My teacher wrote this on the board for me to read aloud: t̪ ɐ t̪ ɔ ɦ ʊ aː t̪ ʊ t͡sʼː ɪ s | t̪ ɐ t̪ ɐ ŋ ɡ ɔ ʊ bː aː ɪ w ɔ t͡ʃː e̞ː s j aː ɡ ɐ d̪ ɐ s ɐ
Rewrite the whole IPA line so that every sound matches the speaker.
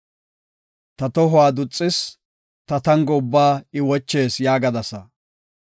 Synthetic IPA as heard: t̪ ɐ t̪ ɔ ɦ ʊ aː d̪ ʊ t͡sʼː ɪ s | t̪ ɐ t̪ ɐ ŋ ɡ ɔ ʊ bː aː ɪ w ɔ t͡ʃː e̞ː s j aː ɡ ɐ d̪ ɐ s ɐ